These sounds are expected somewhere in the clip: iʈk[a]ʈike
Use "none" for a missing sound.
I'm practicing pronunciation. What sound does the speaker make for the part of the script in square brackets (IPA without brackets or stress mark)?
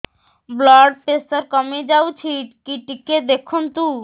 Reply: i